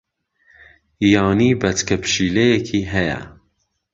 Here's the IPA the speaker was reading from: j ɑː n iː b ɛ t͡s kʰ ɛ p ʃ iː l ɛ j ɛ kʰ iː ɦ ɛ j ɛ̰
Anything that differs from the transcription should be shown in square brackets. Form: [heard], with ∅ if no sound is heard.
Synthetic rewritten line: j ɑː n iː b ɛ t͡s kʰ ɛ p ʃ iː l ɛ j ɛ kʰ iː ɦ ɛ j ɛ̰